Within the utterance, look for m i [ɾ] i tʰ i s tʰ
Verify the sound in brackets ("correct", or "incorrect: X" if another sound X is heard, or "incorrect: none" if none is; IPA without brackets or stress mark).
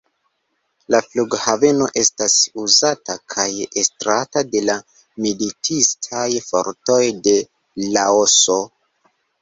incorrect: l